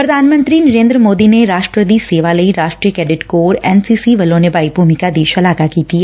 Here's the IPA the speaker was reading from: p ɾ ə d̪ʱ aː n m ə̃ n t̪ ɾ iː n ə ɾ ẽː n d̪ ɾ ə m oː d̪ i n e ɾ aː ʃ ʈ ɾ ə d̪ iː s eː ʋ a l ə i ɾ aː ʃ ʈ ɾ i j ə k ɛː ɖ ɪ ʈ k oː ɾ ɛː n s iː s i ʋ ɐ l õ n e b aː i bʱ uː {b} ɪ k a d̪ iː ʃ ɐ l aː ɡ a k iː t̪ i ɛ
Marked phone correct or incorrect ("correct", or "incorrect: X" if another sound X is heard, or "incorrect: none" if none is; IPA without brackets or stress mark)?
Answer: incorrect: m